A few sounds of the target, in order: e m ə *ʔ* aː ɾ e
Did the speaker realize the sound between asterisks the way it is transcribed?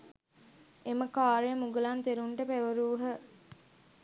no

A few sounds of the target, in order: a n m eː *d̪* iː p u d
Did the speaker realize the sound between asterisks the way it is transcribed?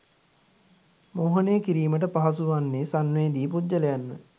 yes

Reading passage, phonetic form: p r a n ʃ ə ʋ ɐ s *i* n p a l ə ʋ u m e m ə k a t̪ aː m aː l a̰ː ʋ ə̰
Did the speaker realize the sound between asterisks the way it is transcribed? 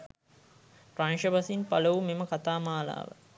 yes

